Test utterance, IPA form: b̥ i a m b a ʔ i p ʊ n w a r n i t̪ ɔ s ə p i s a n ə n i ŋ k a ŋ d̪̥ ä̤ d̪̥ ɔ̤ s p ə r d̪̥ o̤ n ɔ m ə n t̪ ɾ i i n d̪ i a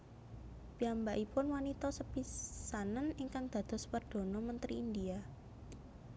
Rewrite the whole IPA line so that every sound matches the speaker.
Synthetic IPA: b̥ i a m b a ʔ i p ʊ n w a n i t̪ ɔ s ə p i s a n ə n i ŋ k a ŋ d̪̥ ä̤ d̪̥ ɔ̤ s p ə r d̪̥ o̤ n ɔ m ə n t̪ ɾ i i n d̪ i a

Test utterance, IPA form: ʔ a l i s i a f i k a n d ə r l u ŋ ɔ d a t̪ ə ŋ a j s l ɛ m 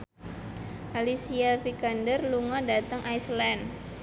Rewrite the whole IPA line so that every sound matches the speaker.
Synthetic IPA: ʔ a l i s i a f i k a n d ə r l u ŋ ɔ d a t̪ ə ŋ a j s l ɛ n

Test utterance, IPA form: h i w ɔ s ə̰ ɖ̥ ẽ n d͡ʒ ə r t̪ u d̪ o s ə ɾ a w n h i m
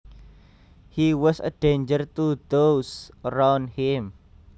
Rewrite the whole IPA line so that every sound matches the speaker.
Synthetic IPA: h i w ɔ s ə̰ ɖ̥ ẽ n d͡ʒ ə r t̪ u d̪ o s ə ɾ a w n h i m

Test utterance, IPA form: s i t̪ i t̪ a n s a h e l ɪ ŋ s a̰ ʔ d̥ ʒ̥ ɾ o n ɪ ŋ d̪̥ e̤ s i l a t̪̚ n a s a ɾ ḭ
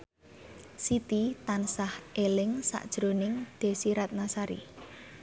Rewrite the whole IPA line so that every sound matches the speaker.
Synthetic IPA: s i t̪ i t̪ a n s a h e l ɪ ŋ s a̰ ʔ d̥ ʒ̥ ɾ o n ɪ ŋ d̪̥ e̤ s i ɾ a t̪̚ n a s a ɾ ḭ

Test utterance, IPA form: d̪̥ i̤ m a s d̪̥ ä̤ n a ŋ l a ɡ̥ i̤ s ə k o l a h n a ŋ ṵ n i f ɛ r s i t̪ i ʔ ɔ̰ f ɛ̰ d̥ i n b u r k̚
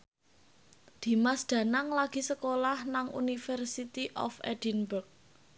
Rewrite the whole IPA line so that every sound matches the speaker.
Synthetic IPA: d̪̥ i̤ m a s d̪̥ ä̤ n a ŋ l a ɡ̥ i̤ s ə k o l a h n a ŋ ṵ n i f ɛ r s i t̪ i ʔ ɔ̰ f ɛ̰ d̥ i n b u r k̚

